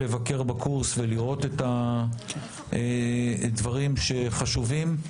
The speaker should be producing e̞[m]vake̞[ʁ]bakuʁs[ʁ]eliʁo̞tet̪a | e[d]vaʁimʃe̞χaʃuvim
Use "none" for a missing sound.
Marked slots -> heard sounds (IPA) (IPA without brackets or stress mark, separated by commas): none, ʁ, v, d